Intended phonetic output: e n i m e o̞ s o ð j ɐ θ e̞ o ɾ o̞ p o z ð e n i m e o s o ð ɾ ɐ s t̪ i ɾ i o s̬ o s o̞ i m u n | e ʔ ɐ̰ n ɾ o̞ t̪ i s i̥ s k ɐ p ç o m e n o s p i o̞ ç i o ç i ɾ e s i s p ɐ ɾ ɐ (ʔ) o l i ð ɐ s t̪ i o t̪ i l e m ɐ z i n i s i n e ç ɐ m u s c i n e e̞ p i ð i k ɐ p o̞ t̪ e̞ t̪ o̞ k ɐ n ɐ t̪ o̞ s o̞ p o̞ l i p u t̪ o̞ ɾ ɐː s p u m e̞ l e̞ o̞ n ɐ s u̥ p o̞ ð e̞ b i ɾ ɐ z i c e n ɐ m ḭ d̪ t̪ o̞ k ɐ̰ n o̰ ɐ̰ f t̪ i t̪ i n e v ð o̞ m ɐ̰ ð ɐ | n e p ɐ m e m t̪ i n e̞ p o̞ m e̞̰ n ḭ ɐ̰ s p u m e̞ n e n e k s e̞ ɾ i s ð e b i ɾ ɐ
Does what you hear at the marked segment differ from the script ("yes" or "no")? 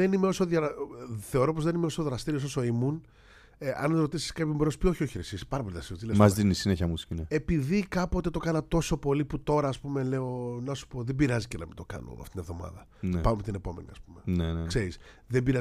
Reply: yes